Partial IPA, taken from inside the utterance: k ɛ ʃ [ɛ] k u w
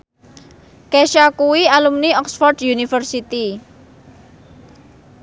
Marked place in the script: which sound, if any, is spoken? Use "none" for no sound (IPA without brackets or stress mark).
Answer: a